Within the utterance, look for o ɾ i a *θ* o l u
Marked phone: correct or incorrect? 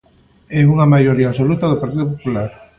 incorrect